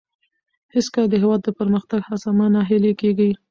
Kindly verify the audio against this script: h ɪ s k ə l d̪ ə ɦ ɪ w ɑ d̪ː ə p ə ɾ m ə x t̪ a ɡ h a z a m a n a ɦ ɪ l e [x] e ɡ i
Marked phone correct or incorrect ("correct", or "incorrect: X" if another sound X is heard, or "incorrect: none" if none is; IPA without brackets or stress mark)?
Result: incorrect: k